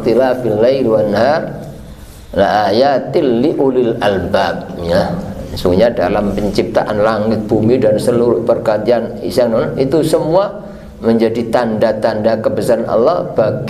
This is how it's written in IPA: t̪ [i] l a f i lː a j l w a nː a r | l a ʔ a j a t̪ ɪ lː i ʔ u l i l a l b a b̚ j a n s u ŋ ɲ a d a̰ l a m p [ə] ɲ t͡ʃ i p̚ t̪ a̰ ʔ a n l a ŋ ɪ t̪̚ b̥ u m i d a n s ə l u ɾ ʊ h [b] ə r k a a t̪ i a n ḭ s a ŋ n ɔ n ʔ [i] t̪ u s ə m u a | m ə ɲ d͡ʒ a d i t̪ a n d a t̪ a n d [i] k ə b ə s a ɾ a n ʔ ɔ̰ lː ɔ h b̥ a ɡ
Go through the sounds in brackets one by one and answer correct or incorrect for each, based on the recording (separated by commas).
correct, correct, incorrect, correct, incorrect